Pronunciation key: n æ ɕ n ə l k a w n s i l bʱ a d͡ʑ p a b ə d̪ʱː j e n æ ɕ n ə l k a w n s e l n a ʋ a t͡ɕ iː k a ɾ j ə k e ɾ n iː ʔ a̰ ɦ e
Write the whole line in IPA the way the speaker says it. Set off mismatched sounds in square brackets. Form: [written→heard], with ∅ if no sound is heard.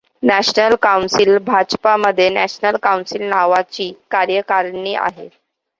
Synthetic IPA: n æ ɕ n ə l k a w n s i l bʱ a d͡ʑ p a [b→m] ə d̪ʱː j e n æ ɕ n ə l k a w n s [e→i] l n a ʋ a t͡ɕ iː k a ɾ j ə k [e→a] ɾ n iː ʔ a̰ ɦ e